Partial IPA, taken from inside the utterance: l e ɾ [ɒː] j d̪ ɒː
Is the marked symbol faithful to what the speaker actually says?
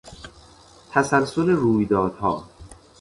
no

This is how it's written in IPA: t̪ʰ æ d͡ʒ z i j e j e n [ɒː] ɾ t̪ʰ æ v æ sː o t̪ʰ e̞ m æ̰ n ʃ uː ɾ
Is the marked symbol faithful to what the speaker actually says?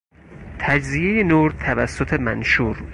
no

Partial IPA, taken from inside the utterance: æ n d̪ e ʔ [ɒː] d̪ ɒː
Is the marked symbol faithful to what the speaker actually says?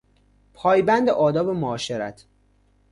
yes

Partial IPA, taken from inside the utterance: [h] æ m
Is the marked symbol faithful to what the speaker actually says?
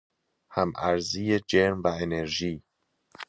yes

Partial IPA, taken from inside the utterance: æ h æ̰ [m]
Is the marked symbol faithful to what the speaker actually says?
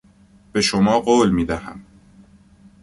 yes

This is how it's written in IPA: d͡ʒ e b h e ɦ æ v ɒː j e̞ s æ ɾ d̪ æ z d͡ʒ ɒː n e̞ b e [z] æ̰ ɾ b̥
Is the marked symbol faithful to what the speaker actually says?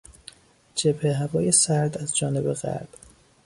no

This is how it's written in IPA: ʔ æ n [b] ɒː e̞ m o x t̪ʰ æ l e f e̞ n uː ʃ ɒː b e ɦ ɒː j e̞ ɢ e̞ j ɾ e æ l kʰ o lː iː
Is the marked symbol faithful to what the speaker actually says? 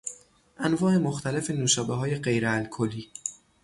no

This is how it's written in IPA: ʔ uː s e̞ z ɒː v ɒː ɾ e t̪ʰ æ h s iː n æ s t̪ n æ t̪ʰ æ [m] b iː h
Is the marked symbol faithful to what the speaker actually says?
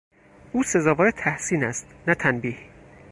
no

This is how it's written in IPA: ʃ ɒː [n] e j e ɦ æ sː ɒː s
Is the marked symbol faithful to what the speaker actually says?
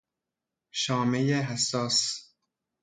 no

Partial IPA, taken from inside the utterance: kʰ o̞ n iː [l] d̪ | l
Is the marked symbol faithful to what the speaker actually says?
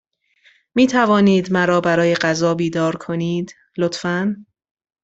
no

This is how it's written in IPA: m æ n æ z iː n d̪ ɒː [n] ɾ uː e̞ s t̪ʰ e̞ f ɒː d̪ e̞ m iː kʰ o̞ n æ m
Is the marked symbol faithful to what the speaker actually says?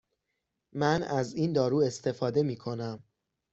no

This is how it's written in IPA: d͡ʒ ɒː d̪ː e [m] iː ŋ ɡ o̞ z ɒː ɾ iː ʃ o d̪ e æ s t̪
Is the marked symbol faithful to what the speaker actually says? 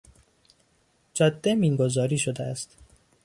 yes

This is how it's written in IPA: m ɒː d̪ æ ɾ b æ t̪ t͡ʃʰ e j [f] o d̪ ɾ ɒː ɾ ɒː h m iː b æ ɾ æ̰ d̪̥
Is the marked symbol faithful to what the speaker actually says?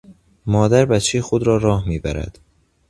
no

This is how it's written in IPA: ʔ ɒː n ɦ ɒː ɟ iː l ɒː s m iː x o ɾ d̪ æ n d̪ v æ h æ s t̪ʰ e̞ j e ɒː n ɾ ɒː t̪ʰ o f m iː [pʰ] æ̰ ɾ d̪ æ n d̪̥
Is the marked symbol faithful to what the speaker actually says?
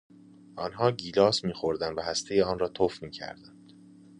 no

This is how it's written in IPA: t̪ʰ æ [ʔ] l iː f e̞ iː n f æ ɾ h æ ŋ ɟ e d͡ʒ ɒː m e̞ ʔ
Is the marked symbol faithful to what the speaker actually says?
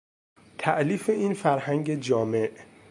yes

